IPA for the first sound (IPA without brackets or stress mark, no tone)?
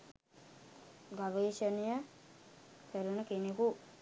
ɡ